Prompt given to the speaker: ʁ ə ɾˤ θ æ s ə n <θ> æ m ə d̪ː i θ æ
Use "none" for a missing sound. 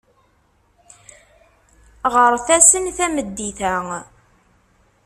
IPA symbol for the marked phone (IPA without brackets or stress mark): θ